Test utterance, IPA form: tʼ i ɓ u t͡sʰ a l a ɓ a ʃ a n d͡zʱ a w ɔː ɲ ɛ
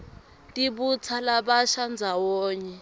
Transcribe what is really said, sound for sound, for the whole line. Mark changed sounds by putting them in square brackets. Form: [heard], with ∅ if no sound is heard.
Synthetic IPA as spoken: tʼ i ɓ u t͡sʰ a l a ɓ a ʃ a n d͡zʱ a w ɔː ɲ ɛ